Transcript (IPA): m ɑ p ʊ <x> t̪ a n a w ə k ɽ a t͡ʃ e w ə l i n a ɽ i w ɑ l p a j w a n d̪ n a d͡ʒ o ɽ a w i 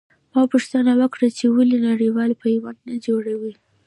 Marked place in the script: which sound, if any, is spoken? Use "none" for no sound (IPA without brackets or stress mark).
ʂ